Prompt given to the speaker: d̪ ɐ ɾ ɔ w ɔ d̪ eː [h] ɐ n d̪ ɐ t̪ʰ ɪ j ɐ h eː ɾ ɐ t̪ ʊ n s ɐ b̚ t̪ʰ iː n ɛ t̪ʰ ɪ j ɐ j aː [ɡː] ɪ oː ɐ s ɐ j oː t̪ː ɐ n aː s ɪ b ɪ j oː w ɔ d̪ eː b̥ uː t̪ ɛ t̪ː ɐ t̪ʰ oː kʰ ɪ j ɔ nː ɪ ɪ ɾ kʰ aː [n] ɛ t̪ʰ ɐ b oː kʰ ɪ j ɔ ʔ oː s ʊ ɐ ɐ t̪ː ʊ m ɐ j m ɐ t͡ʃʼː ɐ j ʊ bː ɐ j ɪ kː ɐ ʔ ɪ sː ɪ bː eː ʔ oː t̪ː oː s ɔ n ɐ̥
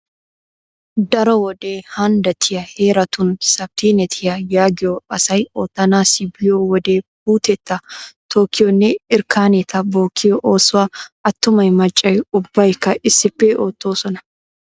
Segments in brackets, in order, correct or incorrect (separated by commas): correct, incorrect, correct